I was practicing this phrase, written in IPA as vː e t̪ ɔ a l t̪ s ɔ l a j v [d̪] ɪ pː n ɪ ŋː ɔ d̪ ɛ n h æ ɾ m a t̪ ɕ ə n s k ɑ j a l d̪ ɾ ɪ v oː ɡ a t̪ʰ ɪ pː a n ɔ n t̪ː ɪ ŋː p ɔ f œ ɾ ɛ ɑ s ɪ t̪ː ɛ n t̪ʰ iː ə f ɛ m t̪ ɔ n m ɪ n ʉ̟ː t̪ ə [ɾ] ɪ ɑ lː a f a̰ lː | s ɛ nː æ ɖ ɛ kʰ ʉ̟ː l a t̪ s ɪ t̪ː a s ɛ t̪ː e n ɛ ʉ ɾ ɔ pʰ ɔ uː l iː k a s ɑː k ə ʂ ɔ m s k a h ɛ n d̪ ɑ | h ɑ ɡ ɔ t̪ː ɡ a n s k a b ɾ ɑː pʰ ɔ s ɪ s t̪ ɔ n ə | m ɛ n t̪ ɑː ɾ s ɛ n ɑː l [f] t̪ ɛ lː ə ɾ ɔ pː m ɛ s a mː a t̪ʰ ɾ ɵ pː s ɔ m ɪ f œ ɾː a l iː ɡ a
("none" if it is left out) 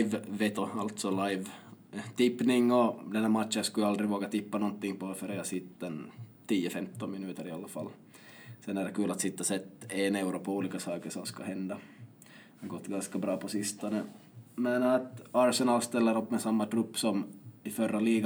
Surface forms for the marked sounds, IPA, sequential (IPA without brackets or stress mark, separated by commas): t̪, ɾ, s